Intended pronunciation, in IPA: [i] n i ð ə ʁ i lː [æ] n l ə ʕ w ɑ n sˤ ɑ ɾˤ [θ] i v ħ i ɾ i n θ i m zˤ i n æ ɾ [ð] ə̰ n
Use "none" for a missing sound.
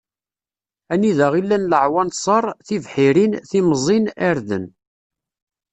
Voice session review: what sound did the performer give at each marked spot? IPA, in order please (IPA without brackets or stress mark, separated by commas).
æ, æ, θ, ð